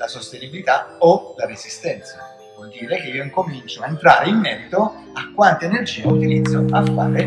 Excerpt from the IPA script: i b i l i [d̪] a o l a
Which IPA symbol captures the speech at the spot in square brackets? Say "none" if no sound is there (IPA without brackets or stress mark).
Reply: t̪